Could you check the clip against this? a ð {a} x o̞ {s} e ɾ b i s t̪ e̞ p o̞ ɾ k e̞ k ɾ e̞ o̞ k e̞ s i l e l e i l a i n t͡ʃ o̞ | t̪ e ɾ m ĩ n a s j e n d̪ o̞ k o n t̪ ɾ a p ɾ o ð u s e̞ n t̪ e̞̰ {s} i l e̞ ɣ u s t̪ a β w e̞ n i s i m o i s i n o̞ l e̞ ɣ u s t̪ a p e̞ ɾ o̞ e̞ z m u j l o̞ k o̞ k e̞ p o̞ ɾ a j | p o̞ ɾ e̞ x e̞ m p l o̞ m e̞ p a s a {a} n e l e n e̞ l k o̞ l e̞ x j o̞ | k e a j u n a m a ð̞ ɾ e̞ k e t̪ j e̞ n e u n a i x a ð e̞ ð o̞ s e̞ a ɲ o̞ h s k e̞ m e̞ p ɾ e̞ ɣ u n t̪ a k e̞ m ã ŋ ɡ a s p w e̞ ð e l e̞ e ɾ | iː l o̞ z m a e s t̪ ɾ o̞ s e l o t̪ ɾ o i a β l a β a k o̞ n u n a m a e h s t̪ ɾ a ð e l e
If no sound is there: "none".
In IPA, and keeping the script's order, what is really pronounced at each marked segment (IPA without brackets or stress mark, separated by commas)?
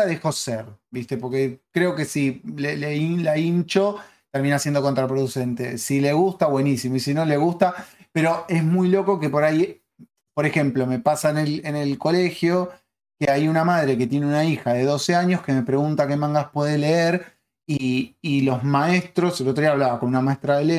e, s, s, e